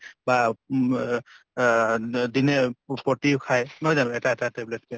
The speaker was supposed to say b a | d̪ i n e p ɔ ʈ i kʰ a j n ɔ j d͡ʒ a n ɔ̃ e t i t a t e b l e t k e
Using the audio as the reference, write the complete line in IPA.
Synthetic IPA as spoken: b a | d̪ i n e p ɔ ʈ i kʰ a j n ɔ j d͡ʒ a n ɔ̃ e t a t a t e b l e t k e